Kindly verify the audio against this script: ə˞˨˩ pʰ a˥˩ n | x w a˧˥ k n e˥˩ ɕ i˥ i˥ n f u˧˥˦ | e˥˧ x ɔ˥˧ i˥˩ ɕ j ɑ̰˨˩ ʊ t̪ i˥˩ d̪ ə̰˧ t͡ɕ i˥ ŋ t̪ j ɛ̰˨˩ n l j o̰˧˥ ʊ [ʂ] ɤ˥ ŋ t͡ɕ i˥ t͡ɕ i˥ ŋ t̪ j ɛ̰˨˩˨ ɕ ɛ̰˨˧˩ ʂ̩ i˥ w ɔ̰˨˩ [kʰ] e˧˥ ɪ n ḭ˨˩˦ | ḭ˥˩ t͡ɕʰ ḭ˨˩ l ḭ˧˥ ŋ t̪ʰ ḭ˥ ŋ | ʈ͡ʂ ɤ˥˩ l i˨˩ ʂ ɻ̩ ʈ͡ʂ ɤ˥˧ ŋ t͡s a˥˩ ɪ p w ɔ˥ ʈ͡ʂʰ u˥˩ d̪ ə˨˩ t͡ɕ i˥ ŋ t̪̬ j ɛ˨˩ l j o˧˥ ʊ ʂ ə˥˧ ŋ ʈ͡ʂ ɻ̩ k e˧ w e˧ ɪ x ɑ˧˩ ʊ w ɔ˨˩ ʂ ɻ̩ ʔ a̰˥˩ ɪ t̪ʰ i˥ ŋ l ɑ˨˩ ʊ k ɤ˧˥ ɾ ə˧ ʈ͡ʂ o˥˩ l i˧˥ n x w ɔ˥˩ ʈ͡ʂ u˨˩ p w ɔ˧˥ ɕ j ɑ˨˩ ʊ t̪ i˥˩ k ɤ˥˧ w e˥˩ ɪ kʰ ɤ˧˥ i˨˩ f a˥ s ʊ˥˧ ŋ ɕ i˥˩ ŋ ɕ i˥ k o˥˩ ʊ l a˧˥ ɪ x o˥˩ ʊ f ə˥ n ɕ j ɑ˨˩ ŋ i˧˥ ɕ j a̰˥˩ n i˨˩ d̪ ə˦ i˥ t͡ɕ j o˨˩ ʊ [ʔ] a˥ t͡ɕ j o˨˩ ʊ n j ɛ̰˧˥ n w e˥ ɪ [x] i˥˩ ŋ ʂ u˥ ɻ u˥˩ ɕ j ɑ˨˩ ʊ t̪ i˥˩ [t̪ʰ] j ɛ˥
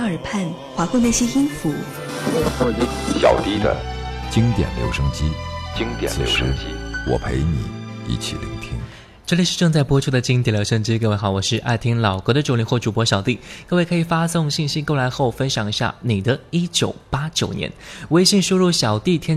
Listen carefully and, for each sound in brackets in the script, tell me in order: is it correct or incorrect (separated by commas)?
correct, incorrect, incorrect, incorrect, correct